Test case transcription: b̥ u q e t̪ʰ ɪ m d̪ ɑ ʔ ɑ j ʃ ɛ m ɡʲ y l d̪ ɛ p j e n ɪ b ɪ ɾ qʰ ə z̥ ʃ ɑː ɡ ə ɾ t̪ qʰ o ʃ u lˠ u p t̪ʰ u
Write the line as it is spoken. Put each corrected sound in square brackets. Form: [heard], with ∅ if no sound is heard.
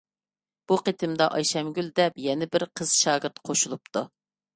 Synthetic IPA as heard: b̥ u q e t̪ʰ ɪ m d̪ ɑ ʔ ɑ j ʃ ɛ m ɡʲ y l d̪ ɛ p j [ɛ] n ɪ b ɪ ɾ qʰ ə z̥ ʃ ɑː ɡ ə ɾ t̪ qʰ o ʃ u lˠ u p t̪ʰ u